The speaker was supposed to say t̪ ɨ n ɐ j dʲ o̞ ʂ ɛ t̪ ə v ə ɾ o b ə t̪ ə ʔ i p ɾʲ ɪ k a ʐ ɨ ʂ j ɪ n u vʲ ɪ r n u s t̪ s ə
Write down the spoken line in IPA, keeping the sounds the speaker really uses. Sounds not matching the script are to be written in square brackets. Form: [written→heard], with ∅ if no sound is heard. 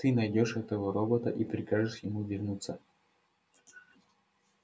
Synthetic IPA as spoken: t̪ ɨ n ɐ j dʲ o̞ ʂ ɛ t̪ ə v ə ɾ o b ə t̪ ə ʔ i p ɾʲ ɪ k a ʐ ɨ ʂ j ɪ [n→m] u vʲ ɪ r n u [s→∅] t̪ s ə